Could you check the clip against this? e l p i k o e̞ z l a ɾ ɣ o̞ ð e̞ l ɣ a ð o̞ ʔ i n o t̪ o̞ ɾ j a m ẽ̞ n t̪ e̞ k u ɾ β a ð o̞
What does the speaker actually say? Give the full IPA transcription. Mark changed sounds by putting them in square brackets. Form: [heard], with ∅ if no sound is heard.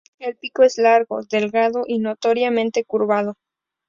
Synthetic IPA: e l p i k o e̞ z l a ɾ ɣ o̞ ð e̞ l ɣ a ð o̞ ʔ i n o t̪ o̞ ɾ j a m ẽ̞ n t̪ e̞ k u ɾ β a ð o̞